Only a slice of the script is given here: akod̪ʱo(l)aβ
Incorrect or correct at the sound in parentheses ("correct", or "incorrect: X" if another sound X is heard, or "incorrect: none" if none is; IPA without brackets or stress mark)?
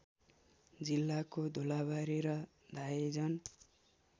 correct